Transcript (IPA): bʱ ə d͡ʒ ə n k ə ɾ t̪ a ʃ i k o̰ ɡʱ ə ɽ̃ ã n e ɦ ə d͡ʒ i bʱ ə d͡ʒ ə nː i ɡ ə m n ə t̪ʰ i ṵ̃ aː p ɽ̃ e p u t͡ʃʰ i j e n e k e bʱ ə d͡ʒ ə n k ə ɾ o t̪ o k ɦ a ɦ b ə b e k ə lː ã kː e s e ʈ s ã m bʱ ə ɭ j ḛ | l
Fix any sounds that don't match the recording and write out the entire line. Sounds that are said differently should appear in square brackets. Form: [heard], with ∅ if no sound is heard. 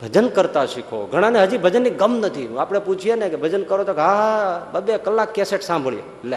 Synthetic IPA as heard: bʱ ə d͡ʒ ə n k ə ɾ t̪ a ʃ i [kʰ] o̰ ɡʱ ə ɽ̃ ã n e ɦ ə d͡ʒ i bʱ ə d͡ʒ ə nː i ɡ ə m n ə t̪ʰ i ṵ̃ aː p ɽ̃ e p u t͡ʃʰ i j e n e k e bʱ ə d͡ʒ ə n k ə ɾ o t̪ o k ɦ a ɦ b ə b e k ə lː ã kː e s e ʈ s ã m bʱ ə ɭ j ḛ | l